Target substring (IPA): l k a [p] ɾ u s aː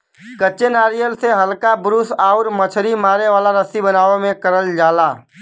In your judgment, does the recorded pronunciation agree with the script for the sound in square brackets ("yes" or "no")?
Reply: no